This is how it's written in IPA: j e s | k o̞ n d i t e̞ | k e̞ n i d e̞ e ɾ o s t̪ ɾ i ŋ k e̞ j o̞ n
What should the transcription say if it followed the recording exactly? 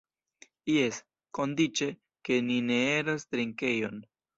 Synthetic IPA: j e s | k o̞ n d i t͡ʃ e̞ | k e̞ n i n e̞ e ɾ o s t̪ ɾ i ŋ k e̞ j o̞ n